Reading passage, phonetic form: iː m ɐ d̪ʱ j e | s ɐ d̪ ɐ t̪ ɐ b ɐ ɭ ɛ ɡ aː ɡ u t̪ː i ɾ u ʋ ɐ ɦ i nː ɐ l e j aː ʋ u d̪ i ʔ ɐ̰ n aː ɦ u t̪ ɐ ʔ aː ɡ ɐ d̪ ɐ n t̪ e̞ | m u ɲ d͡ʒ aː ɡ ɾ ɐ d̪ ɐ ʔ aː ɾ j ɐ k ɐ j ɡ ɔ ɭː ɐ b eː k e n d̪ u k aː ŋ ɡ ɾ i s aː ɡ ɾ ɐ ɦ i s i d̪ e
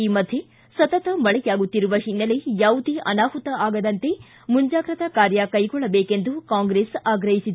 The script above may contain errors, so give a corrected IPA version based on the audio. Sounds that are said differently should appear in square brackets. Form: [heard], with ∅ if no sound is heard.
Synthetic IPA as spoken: iː m ɐ d̪ʱ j e | s ɐ [t̪] ɐ t̪ ɐ [m] ɐ ɭ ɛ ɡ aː ɡ u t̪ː i ɾ u ʋ ɐ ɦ i nː ɐ l e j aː ʋ u d̪ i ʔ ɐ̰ n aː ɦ u t̪ ɐ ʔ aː ɡ ɐ d̪ ɐ n t̪ e̞ | m u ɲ d͡ʒ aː ɡ ɾ ɐ [t̪] ɐ [k] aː ɾ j ɐ k ɐ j ɡ ɔ ɭː ɐ b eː k e n d̪ u k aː ŋ ɡ ɾ [e] s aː ɡ ɾ ɐ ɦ i s i d̪ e

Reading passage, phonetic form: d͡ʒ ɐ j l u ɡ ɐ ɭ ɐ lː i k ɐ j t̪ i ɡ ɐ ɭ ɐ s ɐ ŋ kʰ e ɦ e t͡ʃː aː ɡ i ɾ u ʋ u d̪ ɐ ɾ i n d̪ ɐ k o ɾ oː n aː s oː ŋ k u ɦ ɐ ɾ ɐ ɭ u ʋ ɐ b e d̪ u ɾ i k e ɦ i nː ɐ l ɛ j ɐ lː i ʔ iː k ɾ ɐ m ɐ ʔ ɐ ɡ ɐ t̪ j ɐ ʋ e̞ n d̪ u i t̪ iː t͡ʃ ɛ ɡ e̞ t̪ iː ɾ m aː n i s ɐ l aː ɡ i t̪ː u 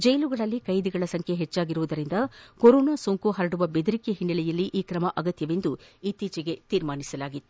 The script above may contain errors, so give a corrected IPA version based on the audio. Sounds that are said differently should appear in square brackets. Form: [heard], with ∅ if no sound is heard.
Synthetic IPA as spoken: d͡ʒ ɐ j l u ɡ ɐ ɭ ɐ lː i k ɐ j [d̪] i ɡ ɐ ɭ ɐ s ɐ ŋ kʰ e ɦ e t͡ʃː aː ɡ i ɾ u ʋ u d̪ ɐ ɾ i n d̪ ɐ k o ɾ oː n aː s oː ŋ k u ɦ ɐ ɾ ɐ [ɽ] u ʋ ɐ b e d̪ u ɾ i k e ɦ i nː ɐ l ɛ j ɐ lː i ʔ iː k ɾ ɐ m ɐ ʔ ɐ ɡ ɐ t̪ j ɐ ʋ e̞ n d̪ u i t̪ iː t͡ʃ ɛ ɡ e̞ t̪ iː ɾ m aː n i s ɐ l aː ɡ i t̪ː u

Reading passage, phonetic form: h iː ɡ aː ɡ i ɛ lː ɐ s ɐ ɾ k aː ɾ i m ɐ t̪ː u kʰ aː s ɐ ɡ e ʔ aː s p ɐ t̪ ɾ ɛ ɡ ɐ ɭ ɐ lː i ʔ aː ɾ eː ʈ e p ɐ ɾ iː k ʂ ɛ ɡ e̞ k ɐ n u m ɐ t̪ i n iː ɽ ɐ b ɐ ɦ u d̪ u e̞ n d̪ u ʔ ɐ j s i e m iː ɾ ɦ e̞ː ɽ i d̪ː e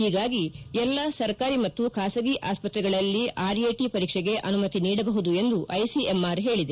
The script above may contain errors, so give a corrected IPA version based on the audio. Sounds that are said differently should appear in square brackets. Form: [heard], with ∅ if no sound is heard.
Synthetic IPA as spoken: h iː ɡ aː ɡ i ɛ lː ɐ s ɐ ɾ k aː ɾ i m ɐ t̪ː u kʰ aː s ɐ ɡ [i] ʔ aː s p ɐ t̪ ɾ ɛ ɡ ɐ ɭ ɐ lː i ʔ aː ɾ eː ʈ [i] p ɐ ɾ iː k ʂ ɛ ɡ e̞ [ʔ] ɐ n u m ɐ t̪ i n iː ɽ ɐ b ɐ ɦ u d̪ u e̞ n d̪ u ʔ ɐ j s i e m [aː] ɾ ɦ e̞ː [ɭ] i [d̪] e

